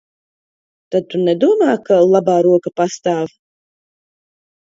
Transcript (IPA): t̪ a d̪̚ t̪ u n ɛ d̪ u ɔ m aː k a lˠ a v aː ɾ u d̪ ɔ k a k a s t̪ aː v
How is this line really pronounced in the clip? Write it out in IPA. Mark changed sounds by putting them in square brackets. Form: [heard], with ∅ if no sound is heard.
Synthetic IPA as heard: t̪ a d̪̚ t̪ u n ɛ d̪ u ɔ m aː k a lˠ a [b] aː ɾ u [∅] ɔ k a [p] a s t̪ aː v